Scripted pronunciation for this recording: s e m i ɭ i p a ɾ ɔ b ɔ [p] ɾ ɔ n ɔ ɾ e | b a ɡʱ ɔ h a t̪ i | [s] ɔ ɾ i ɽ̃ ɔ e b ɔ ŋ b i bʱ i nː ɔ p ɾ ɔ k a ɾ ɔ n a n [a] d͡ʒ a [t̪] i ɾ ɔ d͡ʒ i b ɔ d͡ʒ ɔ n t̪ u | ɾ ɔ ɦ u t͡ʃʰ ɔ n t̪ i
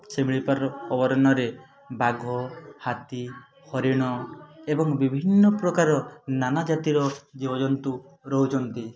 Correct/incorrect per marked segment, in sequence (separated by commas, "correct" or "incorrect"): incorrect, incorrect, correct, correct